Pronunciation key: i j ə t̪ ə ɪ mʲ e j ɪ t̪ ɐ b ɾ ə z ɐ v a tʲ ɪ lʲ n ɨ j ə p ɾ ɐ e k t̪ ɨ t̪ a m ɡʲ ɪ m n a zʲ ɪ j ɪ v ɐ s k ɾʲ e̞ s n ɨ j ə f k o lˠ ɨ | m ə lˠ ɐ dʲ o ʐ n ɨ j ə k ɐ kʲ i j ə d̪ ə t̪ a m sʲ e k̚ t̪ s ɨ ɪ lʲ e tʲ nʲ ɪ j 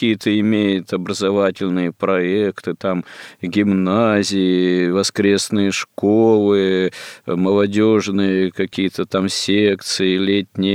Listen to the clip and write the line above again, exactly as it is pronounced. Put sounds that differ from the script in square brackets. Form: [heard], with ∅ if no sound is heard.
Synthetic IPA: i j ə t̪ ə ɪ mʲ e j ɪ t̪ ɐ b ɾ ə z ɐ v a tʲ ɪ lʲ n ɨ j ə p ɾ ɐ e k t̪ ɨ t̪ a m ɡʲ ɪ m n a zʲ ɪ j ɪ v ɐ s k ɾʲ e̞ s n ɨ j ə [ʂ] k o lˠ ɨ | m ə lˠ ɐ dʲ o ʐ n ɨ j ə k ɐ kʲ i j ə [t̪] ə t̪ a m sʲ e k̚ t̪ s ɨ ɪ lʲ e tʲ nʲ ɪ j